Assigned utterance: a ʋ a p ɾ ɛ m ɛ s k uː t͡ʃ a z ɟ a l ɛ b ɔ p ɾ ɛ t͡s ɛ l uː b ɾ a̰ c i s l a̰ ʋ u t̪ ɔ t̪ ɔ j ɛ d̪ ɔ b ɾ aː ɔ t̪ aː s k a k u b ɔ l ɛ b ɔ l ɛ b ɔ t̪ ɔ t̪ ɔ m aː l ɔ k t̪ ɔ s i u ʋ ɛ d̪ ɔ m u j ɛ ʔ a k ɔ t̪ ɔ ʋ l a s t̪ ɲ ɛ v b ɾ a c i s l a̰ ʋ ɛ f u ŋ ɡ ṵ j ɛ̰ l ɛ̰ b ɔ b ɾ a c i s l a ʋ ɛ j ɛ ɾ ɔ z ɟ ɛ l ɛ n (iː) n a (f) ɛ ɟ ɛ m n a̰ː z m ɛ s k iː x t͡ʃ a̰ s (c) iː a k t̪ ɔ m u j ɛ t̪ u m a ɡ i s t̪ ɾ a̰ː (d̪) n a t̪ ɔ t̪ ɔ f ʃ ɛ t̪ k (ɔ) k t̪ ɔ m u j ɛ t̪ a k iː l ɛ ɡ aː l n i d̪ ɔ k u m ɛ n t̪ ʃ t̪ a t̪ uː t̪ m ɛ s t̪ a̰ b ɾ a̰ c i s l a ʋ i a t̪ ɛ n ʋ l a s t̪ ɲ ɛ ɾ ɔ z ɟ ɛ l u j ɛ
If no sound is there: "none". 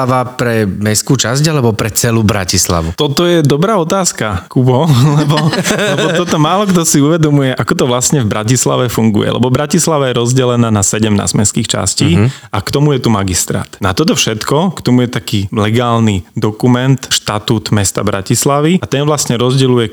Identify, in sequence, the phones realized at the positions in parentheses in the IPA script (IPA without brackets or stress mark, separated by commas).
aː, s, c, t̪, ɔ